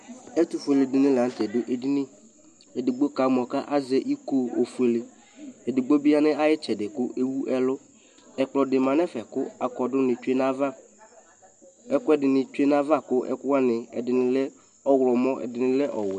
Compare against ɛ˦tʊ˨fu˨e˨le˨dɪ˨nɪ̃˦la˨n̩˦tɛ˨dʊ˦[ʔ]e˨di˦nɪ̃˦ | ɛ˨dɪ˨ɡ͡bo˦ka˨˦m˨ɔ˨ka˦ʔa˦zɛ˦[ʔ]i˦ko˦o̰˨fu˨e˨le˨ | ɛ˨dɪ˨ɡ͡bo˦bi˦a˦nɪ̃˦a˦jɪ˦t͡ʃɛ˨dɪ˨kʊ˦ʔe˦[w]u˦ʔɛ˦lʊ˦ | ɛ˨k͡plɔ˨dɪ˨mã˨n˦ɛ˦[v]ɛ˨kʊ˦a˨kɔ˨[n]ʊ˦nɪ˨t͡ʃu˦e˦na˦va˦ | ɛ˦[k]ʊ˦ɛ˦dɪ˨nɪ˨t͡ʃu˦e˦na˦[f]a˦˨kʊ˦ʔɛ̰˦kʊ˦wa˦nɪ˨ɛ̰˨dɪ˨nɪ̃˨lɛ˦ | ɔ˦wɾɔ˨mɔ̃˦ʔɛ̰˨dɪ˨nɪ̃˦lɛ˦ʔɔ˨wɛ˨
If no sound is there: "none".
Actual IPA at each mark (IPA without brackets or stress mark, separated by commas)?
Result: ʔ, ʔ, w, f, d, k, v